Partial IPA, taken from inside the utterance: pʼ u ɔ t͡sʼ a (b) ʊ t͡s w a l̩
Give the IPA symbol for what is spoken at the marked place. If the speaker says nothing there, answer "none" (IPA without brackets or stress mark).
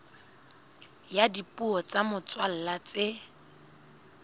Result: m